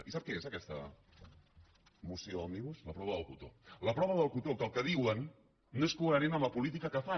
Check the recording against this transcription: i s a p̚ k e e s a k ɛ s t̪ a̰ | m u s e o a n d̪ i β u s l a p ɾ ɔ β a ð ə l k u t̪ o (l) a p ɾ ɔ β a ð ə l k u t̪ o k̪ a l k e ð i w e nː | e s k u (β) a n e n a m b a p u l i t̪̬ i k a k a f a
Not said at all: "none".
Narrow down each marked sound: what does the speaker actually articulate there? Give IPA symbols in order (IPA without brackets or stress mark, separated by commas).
l, none